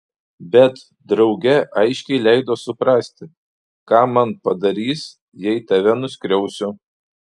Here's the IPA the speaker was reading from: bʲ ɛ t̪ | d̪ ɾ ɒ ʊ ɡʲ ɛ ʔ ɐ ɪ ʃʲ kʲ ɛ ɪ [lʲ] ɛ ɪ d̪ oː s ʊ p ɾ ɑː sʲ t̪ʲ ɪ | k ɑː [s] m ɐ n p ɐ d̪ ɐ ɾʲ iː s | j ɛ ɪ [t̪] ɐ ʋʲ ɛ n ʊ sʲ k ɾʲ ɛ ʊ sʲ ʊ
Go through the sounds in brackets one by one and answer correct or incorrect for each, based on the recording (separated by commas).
correct, incorrect, correct